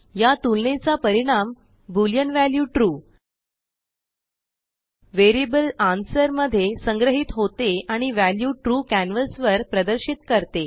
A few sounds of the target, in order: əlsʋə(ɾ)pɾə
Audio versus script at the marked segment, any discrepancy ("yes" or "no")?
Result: no